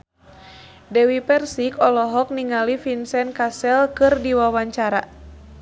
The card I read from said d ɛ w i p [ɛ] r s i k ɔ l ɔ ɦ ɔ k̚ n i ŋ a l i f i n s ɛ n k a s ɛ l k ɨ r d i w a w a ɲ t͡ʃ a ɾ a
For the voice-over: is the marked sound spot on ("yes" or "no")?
yes